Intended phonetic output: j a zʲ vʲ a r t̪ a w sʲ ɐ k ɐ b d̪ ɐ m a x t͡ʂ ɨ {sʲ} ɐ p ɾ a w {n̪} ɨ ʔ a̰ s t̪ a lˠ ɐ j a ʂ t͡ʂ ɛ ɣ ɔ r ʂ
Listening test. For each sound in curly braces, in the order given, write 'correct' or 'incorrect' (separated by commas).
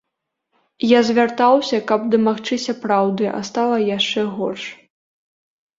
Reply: correct, incorrect